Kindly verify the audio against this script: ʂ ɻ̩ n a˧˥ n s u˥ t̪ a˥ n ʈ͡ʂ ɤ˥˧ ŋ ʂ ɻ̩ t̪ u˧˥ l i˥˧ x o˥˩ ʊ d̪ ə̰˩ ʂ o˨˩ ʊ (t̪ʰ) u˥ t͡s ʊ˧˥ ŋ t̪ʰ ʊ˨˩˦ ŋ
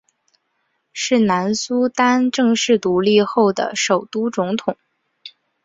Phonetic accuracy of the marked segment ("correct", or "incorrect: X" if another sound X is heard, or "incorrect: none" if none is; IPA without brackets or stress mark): incorrect: t̪